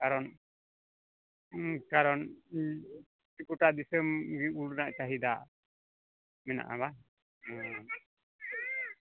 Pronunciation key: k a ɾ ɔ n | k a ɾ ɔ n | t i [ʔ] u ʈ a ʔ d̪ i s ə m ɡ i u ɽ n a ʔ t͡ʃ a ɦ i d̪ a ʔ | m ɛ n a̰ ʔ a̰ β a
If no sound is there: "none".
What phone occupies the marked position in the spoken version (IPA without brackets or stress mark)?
k